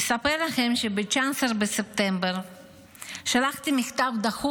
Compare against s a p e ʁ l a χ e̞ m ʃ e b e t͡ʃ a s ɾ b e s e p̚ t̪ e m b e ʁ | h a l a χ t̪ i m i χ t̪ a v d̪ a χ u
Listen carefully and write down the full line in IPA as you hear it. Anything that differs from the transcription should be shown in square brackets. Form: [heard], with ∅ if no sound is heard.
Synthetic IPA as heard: s a p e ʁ l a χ e̞ m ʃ e b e t͡ʃ a s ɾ b e s e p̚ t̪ e m b e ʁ | [ʃ] a l a χ t̪ i m i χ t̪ a v d̪ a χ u